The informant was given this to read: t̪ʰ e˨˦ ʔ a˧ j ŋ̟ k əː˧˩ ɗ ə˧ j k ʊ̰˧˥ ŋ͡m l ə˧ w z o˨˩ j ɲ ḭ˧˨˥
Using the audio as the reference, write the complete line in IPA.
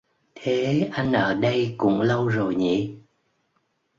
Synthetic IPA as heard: t̪ʰ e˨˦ ʔ a˧ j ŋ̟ ʔ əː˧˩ ɗ ə˧ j k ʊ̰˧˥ ŋ͡m l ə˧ w z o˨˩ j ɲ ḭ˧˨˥